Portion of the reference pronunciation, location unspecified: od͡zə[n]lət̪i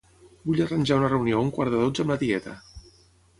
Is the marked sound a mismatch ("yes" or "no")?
yes